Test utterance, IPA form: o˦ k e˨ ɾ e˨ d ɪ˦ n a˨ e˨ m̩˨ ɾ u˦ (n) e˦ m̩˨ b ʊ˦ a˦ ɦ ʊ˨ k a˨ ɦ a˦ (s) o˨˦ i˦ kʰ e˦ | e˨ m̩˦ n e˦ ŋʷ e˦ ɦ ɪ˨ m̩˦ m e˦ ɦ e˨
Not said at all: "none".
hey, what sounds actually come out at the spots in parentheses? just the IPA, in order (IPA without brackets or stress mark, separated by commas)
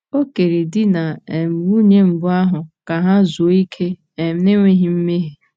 ɲ, z